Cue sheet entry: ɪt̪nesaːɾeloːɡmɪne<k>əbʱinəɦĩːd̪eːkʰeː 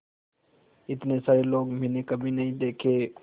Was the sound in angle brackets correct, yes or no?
yes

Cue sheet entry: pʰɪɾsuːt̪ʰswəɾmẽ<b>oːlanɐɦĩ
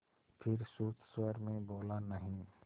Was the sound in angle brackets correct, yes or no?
yes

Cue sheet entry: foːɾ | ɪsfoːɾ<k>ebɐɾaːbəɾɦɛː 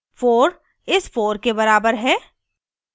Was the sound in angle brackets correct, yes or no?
yes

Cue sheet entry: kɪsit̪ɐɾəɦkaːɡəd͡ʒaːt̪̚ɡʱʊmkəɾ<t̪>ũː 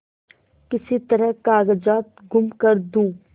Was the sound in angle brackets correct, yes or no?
no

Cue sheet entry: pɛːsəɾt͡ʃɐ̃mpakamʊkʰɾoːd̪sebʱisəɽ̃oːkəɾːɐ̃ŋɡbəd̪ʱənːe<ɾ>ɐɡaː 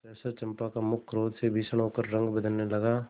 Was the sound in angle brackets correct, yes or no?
no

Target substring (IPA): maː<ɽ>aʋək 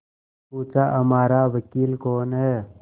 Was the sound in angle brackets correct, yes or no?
no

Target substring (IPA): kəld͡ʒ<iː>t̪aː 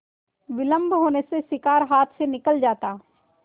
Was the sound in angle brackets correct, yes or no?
no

